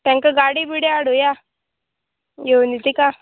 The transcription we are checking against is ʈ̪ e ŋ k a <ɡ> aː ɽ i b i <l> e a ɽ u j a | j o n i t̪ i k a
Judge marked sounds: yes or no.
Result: yes, no

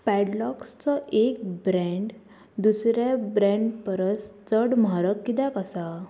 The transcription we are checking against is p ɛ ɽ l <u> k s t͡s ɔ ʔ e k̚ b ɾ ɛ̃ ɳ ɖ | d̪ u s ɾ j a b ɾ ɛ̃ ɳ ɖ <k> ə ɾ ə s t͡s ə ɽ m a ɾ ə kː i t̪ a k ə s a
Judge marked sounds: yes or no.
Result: no, no

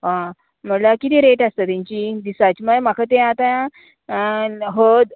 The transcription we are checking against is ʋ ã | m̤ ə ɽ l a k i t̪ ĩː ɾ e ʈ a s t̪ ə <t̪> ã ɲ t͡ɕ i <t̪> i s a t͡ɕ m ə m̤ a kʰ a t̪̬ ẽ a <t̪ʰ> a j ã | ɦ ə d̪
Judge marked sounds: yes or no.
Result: yes, no, no

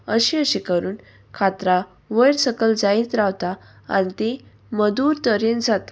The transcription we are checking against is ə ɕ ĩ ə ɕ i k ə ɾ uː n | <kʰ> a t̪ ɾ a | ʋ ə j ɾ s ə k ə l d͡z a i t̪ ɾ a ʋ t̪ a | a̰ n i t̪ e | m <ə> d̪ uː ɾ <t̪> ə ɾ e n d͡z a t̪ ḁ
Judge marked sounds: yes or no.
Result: yes, yes, yes

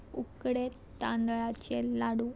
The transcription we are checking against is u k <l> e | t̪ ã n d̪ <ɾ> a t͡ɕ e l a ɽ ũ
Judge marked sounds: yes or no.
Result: no, no

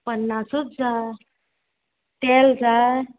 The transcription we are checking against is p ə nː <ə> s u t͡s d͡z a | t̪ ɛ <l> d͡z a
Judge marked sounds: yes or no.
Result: no, yes

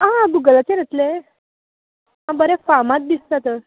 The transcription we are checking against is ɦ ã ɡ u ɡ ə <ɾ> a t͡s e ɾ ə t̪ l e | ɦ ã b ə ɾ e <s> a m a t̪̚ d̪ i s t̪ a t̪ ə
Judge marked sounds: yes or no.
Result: no, no

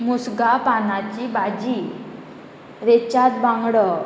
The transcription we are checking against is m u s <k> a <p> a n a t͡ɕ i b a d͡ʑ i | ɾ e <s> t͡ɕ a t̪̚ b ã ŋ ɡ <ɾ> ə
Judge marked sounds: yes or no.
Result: no, yes, no, no

